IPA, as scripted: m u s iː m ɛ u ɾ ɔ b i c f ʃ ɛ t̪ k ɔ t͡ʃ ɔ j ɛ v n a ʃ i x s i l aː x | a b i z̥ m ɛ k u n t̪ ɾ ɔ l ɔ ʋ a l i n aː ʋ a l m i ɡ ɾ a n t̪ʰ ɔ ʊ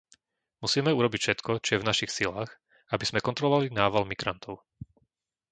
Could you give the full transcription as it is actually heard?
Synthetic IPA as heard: m u s iː m ɛ u ɾ ɔ b i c f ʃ ɛ t̪ k ɔ t͡ʃ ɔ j ɛ v n a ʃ i x s i l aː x | a b i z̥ m ɛ k ɔ n t̪ ɾ ɔ l ɔ ʋ a l i n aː ʋ a l m i ɡ ɾ a n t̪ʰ ɔ ʊ